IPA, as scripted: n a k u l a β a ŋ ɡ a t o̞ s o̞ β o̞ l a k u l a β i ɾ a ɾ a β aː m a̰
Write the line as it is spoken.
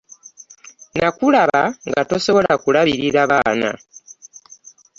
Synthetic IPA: n a k u l a β a ŋ ɡ a t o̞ s o̞ β o̞ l a k u l a β i ɾ i ɾ a β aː n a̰